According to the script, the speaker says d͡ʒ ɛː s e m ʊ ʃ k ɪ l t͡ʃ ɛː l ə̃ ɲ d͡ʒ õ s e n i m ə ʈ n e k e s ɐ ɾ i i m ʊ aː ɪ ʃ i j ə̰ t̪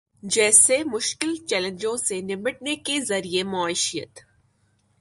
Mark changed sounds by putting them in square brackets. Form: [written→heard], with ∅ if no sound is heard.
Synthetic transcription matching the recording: d͡ʒ ɛː s e m ʊ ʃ k ɪ l t͡ʃ ɛː l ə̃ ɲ d͡ʒ õ s e n [i→ɪ] m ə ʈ n e k e [s→z] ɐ ɾ i [i→e] m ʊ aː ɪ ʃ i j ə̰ t̪